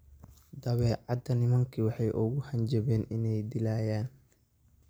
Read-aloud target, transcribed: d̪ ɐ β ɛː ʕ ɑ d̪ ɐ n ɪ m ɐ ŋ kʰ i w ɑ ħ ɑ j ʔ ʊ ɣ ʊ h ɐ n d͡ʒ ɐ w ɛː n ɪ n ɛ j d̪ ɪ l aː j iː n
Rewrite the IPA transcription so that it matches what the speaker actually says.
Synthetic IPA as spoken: d̪ ɐ β ɛː ʕ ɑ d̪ ɐ n ɪ m ɐ ŋ kʰ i w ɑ ħ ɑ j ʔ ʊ ɣ ʊ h ɐ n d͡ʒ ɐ β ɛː n ɪ n ɛ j d̪ ɪ l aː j aː n

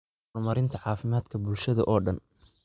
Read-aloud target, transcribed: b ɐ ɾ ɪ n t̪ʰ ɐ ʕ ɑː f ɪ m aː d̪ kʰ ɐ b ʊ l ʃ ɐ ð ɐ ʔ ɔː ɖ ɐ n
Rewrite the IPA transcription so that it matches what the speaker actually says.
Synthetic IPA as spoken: m ɐ ɾ ɪ n t̪ʰ ɐ ʕ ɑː f ɪ m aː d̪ kʰ ɐ b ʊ l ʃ ɐ ð ɐ ʔ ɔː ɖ ɐ n

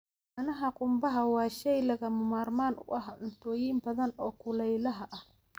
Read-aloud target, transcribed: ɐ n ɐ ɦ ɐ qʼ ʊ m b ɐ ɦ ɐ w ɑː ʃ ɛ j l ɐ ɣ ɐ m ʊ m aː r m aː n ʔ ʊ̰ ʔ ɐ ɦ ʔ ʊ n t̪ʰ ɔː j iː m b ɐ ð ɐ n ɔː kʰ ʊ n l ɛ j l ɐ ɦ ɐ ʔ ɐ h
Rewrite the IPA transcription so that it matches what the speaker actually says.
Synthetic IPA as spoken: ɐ n ɐ ɦ ɐ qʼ ʊ m b ɐ ɦ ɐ w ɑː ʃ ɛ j l ɐ ɣ ɐ m ʊ m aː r m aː n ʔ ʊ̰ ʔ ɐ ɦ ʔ ʊ n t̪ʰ ɔː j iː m b ɐ ð ɐ n ɔː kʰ ʊ l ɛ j l ɐ ɦ ɐ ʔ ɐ h

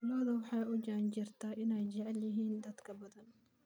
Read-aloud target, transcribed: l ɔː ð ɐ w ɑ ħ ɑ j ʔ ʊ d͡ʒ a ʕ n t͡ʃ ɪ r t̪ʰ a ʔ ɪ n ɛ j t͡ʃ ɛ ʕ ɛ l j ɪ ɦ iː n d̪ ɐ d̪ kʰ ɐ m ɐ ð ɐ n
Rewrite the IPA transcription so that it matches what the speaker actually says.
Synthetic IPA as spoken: l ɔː ð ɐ w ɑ ħ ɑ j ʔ ʊ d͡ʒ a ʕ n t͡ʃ ɪ r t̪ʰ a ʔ ɪ n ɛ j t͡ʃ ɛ ʕ ɛ l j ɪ ɦ iː n d̪ ɐ d̪ kʰ ɐ b ɐ ð ɐ n

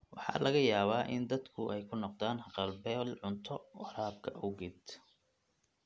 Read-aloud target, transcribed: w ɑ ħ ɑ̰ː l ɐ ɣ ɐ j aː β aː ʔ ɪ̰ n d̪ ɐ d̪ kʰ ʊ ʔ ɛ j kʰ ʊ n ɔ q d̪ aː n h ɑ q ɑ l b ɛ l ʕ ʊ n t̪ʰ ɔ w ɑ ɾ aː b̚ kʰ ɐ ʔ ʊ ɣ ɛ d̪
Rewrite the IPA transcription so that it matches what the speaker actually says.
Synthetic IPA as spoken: w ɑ ħ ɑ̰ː l ɐ ɣ ɐ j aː β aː ʔ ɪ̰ n d̪ ɐ d̪ kʰ ʊ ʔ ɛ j kʰ ʊ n ɔ q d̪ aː n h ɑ q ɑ l b ɛ l ʕ ʊ n t̪ʰ ɔ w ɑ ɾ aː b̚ kʰ ɐ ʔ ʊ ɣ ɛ d̪

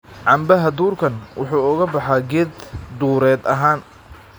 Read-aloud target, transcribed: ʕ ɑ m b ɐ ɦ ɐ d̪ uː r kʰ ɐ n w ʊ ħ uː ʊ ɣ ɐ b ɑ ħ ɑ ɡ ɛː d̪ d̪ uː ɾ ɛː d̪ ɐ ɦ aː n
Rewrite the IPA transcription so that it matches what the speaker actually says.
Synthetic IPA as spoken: ʕ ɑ m b ɐ ɦ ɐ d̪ uː r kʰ ɐ n w ʊ ħ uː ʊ ɣ ɐ b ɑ ħ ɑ ɡ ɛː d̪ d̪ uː ɾ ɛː d̪ ɐ ɦ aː n

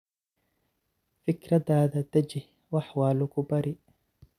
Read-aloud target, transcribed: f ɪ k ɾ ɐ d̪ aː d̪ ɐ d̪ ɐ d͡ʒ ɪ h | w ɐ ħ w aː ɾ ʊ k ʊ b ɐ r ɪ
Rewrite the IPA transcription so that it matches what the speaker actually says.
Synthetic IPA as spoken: f ɪ k ɾ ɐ d̪ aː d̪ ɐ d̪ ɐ d͡ʒ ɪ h | w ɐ ħ w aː l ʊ k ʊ b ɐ ɾ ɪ

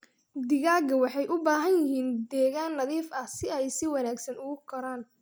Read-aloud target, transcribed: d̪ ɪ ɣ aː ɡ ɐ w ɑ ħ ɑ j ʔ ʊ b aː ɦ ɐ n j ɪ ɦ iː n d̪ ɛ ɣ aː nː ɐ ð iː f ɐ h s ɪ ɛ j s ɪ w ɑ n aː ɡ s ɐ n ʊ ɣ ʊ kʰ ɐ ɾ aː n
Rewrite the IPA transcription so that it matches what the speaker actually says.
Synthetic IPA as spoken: d̪ ɪ ɣ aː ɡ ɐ w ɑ ħ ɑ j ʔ ʊ b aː ɦ ɐ n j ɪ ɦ iː n d̪ ɛː ɣ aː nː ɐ ð iː f ɐ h s ɪ ɛ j s ɪ w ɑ n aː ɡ s ɐ n ʊ ɣ ʊ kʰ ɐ ɾ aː n

